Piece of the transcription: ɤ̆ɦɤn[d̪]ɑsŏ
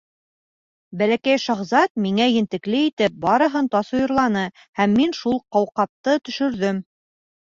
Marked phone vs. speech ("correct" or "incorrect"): incorrect